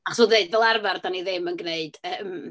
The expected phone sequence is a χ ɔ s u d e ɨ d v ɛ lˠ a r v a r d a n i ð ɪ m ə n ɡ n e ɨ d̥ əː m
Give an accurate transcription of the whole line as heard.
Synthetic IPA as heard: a χ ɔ s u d e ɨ d v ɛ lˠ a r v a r d a n i ð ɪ m ə n ɡ n e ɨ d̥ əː m